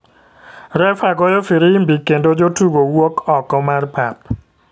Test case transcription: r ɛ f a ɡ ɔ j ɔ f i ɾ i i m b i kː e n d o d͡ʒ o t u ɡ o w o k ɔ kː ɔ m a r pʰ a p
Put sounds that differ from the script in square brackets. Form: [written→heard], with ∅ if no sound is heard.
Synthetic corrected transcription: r ɛ f a ɡ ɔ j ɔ f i ɾ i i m b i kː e n d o d͡ʒ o t u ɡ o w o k ɔ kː ɔ m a r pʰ a p